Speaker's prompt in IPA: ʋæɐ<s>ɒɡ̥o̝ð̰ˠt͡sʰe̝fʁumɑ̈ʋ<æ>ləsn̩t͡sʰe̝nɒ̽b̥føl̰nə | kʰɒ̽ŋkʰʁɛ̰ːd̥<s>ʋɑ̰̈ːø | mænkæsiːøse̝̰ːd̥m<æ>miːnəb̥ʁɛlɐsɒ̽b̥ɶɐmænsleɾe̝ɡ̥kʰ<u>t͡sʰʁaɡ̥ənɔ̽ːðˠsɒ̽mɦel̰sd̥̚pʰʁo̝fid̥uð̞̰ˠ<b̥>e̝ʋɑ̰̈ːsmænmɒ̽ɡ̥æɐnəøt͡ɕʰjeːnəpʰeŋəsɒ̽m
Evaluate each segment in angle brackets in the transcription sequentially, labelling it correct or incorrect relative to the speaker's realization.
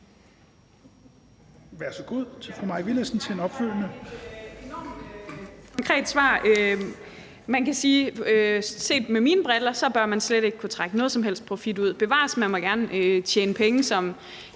correct, incorrect: i, correct, incorrect: e, correct, correct

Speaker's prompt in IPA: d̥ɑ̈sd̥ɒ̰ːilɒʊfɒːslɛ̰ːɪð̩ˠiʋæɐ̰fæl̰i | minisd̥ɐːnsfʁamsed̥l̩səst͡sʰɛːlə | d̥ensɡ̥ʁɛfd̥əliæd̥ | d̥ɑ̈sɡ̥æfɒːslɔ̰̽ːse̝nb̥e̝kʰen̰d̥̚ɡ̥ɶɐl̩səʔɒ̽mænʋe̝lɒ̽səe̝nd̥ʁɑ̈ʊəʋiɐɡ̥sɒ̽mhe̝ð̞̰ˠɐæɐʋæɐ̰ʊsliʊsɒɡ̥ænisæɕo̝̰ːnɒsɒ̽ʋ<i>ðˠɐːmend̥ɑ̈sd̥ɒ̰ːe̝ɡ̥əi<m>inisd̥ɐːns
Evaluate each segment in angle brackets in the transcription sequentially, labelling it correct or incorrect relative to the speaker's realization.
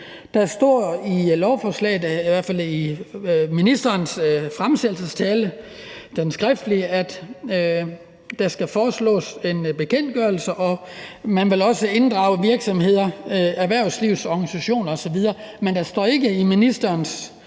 correct, correct

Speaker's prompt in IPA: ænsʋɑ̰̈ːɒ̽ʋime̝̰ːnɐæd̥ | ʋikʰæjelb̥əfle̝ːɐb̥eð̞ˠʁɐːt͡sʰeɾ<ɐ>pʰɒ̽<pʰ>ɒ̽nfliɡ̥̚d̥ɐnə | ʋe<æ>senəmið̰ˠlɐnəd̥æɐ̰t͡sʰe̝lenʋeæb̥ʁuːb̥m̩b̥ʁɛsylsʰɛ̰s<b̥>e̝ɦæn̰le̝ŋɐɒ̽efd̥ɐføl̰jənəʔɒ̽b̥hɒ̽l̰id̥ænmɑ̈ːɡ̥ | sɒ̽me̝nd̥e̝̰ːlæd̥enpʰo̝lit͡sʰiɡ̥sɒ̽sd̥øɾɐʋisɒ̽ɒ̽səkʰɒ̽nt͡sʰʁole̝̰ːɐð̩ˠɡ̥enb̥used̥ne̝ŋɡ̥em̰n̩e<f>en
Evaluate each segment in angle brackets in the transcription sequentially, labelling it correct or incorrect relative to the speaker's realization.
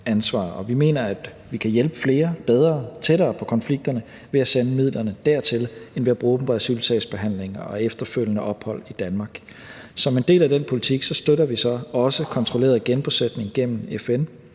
incorrect: ɐː, incorrect: kʰ, correct, correct, correct

